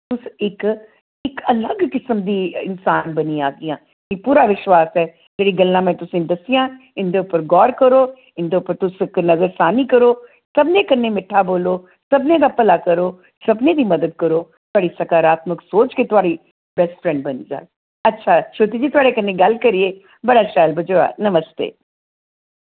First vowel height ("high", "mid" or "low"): high